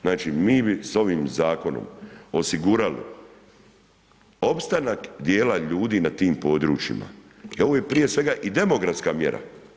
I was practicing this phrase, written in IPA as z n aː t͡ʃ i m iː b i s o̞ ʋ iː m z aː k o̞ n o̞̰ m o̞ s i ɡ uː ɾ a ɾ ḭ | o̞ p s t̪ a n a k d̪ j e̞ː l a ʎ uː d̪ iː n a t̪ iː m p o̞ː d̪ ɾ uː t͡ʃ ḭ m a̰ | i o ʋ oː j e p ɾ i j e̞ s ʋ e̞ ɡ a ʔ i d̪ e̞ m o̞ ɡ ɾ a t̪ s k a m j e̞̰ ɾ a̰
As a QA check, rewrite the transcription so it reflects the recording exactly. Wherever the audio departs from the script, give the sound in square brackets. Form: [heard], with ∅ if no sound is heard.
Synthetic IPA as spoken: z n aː t͡ʃ i m iː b i s o̞ ʋ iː m z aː k o̞ n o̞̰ m o̞ s i ɡ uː ɾ a [l] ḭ | o̞ p s t̪ a n a k d̪ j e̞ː l a ʎ uː d̪ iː n a t̪ iː m p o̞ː d̪ ɾ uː t͡ʃ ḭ m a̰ | i o ʋ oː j e p ɾ i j e̞ s ʋ e̞ ɡ a ʔ i d̪ e̞ m o̞ ɡ ɾ a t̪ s k a m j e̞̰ ɾ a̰